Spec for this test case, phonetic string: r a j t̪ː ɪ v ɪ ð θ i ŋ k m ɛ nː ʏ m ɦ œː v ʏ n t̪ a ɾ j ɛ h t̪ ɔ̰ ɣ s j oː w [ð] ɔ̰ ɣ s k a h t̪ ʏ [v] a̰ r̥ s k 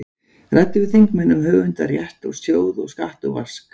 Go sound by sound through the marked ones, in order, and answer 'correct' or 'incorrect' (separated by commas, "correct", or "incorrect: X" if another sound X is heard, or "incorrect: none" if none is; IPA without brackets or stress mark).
correct, correct